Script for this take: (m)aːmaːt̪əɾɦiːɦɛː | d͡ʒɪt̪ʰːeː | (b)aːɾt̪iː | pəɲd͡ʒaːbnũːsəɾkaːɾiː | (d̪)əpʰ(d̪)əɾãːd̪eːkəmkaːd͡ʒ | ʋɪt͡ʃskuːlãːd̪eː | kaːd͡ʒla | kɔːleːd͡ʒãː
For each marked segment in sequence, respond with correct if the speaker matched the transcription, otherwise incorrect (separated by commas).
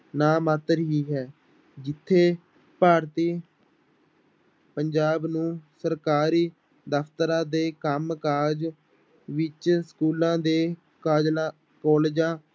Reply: incorrect, incorrect, correct, incorrect